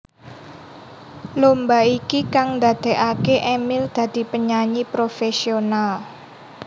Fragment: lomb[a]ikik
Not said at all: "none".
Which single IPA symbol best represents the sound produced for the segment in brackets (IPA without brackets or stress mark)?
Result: a